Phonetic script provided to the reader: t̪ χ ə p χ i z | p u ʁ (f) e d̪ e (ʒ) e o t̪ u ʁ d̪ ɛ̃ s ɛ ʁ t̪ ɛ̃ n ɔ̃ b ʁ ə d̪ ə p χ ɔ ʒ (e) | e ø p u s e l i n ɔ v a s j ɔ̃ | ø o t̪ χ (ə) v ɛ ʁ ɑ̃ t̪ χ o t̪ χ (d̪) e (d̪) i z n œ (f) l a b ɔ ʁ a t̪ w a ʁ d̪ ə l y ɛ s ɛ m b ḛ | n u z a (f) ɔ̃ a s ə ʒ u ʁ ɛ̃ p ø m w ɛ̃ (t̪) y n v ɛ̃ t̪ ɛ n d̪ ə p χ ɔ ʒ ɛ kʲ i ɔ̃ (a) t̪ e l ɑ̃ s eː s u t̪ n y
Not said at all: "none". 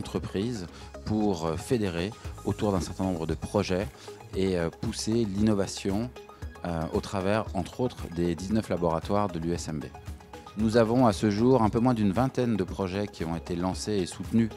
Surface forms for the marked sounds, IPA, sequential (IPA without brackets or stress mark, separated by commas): f, ʁ, ɛ, a, d̪, d̪, f, v, d̪, e